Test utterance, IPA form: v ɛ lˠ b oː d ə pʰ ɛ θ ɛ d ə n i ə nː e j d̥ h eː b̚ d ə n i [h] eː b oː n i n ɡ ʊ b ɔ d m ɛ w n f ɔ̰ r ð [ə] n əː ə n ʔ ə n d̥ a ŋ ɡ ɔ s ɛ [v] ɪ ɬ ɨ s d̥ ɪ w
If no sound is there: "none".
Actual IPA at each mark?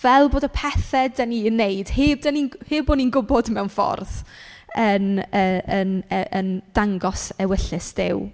h, ə, w

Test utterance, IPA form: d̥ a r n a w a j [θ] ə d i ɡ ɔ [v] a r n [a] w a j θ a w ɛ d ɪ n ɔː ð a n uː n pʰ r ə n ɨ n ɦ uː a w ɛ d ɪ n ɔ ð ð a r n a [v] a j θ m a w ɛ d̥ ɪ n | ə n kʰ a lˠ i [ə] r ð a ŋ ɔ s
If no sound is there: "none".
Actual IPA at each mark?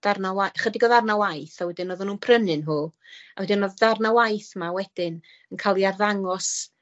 χ, ð, a, w, a

